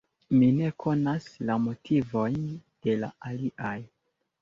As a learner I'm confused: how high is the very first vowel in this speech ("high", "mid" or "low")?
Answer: high